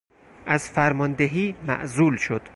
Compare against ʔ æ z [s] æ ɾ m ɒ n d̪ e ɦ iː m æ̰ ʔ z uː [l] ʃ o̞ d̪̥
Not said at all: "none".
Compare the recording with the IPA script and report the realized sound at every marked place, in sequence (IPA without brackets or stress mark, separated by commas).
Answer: f, l